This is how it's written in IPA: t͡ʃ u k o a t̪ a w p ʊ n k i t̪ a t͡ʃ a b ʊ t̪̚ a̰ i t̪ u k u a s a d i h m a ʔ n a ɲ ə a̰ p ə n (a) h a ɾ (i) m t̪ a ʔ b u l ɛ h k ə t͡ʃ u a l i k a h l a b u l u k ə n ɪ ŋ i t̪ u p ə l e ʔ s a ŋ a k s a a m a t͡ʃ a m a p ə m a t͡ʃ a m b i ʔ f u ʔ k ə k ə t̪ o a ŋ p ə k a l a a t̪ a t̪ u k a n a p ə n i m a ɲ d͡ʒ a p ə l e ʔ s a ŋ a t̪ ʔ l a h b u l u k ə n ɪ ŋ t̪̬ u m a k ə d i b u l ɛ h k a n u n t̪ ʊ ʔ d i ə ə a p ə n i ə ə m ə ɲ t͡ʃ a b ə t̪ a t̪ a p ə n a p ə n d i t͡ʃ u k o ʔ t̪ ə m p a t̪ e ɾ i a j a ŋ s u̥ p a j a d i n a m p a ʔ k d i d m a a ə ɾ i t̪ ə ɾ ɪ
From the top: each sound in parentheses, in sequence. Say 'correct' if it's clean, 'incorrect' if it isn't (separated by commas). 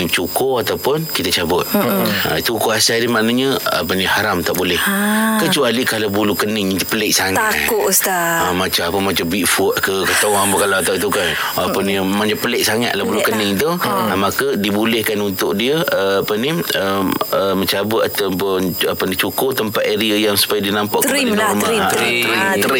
incorrect, incorrect